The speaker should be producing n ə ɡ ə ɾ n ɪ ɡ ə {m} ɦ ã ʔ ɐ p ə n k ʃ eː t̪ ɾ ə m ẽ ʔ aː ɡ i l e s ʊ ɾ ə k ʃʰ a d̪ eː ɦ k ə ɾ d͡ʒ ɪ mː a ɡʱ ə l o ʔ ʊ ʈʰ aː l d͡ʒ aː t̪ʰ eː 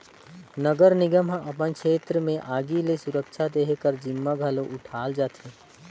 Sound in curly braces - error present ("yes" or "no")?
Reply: no